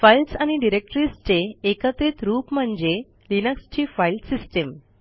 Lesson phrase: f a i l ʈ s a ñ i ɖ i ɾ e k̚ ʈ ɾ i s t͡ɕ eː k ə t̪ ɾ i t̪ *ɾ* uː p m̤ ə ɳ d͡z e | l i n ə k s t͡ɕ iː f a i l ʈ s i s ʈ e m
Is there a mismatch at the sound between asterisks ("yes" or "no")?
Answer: no